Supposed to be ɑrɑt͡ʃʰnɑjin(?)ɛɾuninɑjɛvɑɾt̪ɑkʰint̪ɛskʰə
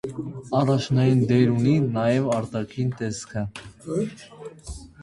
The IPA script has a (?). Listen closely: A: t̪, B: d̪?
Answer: B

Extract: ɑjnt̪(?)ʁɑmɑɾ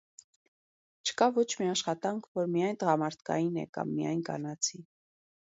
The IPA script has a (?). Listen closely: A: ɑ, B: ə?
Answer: B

